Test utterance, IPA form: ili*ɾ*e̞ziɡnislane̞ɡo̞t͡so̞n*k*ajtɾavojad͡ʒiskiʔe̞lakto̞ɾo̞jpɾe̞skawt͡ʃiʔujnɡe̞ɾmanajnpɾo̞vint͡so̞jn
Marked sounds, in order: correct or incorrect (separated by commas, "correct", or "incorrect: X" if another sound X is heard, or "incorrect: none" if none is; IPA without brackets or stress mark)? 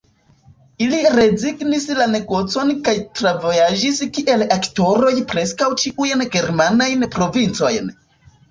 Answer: correct, correct